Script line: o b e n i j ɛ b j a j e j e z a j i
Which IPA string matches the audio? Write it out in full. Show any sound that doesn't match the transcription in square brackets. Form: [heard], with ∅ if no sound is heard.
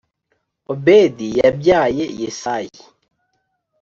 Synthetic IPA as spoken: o b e [d] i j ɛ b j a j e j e [s] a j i